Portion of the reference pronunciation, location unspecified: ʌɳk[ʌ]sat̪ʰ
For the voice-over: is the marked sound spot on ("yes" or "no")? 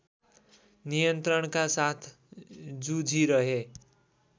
no